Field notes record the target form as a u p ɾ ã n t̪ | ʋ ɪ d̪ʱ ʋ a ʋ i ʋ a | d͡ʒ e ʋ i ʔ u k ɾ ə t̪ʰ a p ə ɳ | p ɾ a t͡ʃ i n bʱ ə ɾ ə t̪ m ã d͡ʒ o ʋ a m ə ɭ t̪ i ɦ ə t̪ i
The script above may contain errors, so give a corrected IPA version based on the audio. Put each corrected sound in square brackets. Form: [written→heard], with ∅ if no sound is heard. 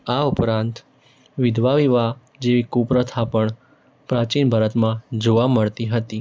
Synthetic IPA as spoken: a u p ɾ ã n t̪ | ʋ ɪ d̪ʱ ʋ a ʋ i ʋ a | d͡ʒ e ʋ i [ʔ→k] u [k→p] ɾ ə t̪ʰ a p ə ɳ | p ɾ a t͡ʃ i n bʱ ə ɾ ə t̪ m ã d͡ʒ o ʋ a m ə ɭ t̪ i ɦ ə t̪ i